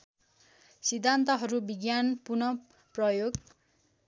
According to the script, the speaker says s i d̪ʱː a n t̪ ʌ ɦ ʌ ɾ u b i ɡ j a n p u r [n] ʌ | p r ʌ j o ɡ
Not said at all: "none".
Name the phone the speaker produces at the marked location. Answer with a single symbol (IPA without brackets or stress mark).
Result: n